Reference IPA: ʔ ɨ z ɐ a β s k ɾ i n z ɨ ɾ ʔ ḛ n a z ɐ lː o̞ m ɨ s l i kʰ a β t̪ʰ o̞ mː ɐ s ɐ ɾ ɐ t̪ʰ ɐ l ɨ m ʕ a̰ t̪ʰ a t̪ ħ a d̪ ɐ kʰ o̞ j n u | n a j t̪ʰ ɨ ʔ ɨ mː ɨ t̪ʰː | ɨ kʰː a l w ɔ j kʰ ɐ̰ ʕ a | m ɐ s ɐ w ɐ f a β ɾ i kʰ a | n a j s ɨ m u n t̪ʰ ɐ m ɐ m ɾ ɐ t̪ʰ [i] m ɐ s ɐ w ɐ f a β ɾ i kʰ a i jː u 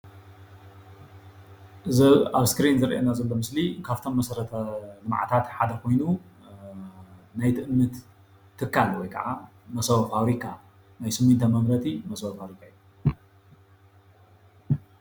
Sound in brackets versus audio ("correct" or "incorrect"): correct